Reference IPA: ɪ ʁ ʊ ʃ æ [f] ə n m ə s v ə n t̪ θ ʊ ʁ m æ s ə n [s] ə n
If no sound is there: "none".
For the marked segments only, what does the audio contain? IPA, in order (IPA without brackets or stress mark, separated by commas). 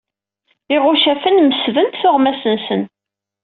f, s